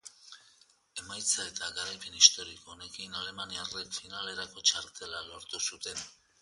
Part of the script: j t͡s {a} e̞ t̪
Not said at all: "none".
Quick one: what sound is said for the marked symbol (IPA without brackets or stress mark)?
a